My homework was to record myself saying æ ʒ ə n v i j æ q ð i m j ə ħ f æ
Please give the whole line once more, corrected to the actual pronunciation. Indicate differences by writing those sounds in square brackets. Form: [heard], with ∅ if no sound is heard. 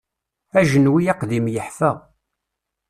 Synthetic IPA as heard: æ ʒ ə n [w] i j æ q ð i m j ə ħ f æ